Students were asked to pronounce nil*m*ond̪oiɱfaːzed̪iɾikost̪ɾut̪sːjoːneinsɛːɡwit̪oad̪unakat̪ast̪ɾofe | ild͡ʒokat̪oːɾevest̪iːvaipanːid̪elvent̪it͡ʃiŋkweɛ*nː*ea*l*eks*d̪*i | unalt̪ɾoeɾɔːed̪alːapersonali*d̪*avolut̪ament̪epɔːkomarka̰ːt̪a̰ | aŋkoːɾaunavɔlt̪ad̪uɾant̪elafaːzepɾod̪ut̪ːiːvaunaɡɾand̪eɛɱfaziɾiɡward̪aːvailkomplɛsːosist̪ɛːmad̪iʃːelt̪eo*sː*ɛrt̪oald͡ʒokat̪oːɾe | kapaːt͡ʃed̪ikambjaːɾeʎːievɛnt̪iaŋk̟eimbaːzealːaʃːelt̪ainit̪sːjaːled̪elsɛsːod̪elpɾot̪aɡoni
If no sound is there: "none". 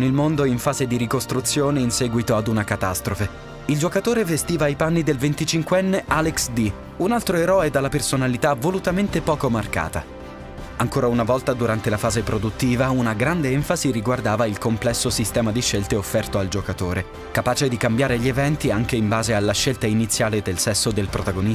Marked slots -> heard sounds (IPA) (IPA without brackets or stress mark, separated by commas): m, nː, l, d̪, t̪, fː